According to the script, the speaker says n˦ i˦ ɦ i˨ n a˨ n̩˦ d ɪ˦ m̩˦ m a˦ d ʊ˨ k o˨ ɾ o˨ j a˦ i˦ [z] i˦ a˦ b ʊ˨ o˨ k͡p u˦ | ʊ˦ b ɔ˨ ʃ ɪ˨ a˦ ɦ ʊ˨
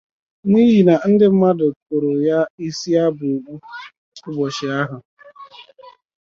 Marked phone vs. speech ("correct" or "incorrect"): incorrect